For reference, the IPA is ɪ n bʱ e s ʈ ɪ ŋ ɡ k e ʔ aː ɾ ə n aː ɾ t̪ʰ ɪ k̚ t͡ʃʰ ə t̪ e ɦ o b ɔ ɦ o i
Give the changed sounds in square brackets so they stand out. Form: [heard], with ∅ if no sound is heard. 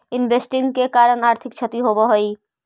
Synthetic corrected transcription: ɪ n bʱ e s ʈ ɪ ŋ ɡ k e [k] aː ɾ ə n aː ɾ t̪ʰ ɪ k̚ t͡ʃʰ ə t̪ [i] ɦ o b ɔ ɦ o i